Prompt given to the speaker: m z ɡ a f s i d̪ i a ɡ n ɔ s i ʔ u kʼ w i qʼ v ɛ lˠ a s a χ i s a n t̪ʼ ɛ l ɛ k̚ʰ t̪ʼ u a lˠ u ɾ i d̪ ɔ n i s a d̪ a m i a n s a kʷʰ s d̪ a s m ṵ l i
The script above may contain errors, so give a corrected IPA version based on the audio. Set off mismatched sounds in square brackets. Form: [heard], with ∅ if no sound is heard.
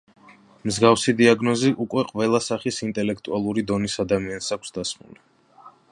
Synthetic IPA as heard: m z ɡ a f s i d̪ i a ɡ n ɔ [z] i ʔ u kʼ w [ɛ] qʼ v ɛ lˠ a s a χ i s [i] n t̪ʼ ɛ l ɛ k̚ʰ t̪ʼ u a lˠ u ɾ i d̪ ɔ n i s a d̪ a m i a n s a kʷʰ s d̪ a s m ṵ l i

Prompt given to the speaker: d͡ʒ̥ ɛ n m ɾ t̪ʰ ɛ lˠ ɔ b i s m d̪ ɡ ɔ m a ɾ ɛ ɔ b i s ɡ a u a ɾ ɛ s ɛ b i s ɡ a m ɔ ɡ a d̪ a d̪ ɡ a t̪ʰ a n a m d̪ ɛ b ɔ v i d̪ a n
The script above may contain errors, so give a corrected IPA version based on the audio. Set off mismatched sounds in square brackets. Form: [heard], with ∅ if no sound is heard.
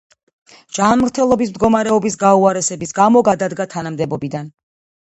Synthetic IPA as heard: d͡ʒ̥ [a] n m ɾ t̪ʰ ɛ lˠ ɔ b i s m d̪ ɡ ɔ m a ɾ ɛ ɔ b i s ɡ a u a ɾ ɛ s ɛ b i s ɡ a m ɔ ɡ a d̪ a d̪ ɡ a t̪ʰ a n a m d̪ ɛ b ɔ [b] i d̪ a n

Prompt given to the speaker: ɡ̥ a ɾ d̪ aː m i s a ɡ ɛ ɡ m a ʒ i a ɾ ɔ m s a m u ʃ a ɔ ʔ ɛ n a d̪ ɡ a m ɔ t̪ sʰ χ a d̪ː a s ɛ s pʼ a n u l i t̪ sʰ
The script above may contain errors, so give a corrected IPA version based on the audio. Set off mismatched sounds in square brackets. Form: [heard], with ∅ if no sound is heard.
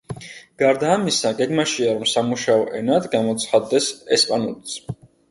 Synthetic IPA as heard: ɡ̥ a ɾ d̪ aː m i s a ɡ ɛ ɡ m a [ʃ] i a ɾ ɔ m s a m u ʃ a ɔ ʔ ɛ n a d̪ ɡ a m ɔ t̪ sʰ χ a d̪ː [ɛ] s ɛ s pʼ a n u l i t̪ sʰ

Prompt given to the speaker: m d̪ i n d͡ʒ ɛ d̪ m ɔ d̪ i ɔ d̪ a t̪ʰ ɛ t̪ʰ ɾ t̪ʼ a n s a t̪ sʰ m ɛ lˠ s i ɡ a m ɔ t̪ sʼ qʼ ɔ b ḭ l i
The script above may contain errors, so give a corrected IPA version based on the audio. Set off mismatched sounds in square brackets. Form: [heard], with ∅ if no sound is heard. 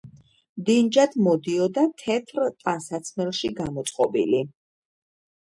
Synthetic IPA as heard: m d̪ i n d͡ʒ [a] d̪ m ɔ d̪ i ɔ d̪ a t̪ʰ ɛ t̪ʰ ɾ t̪ʼ a n s a t̪ sʰ m ɛ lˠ [ʃ] i ɡ a m ɔ t̪ sʼ qʼ ɔ b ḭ l i

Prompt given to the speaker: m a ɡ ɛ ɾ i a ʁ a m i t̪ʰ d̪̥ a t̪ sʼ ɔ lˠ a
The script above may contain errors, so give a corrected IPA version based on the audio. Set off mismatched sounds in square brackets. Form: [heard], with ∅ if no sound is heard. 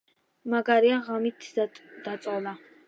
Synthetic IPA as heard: m a ɡ [a] ɾ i a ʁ a m i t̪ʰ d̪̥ a t̪ sʼ ɔ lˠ a

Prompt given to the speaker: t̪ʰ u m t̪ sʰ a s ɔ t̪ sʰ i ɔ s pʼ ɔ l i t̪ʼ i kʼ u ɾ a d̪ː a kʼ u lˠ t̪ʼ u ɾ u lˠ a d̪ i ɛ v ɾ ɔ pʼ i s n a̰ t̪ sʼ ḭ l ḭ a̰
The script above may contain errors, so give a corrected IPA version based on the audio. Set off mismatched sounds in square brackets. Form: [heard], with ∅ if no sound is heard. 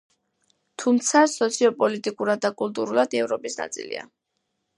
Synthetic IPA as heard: t̪ʰ u m t̪ sʰ a s ɔ t̪ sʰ i ɔ [∅] pʼ ɔ l i t̪ʼ i kʼ u ɾ a d̪ː a kʼ u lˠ t̪ʼ u ɾ u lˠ a d̪ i ɛ v ɾ ɔ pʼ i s n a̰ t̪ sʼ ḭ l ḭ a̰

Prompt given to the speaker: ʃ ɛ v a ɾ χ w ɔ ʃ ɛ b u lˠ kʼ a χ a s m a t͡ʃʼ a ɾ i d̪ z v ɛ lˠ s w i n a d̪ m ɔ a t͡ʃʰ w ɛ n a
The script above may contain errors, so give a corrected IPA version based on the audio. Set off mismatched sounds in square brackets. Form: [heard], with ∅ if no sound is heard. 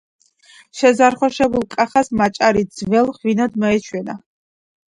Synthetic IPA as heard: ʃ ɛ [z] a ɾ χ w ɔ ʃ ɛ b u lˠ kʼ a χ a s m a t͡ʃʼ a ɾ i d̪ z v ɛ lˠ [χ] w i n a d̪ m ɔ [ɛ] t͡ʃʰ w ɛ n a

